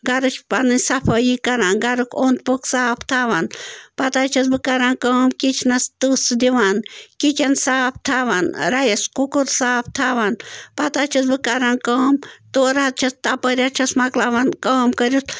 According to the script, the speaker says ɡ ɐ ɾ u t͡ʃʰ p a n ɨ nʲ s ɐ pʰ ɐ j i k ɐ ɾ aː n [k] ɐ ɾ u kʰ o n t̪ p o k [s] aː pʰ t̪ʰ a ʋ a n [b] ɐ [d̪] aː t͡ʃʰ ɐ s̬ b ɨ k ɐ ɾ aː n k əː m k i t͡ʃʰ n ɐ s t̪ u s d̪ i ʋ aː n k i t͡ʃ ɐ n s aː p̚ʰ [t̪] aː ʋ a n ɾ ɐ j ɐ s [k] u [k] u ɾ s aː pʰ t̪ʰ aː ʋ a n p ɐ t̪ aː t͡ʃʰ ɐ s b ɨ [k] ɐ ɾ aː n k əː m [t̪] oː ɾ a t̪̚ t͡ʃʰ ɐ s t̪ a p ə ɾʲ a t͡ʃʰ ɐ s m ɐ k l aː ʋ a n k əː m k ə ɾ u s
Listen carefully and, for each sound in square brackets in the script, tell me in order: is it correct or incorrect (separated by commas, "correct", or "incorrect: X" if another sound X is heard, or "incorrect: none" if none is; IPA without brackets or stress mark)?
incorrect: ɡ, correct, incorrect: p, incorrect: t̪, incorrect: t̪ʰ, correct, correct, correct, correct